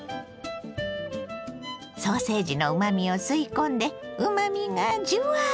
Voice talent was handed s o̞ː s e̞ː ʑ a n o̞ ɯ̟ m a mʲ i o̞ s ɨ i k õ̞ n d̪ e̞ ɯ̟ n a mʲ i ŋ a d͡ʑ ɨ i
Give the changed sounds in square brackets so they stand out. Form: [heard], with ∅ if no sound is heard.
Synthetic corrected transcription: s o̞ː s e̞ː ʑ [i] n o̞ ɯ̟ m a mʲ i o̞ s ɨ i k õ̞ n d̪ e̞ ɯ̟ [m] a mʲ i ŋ a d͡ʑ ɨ [a]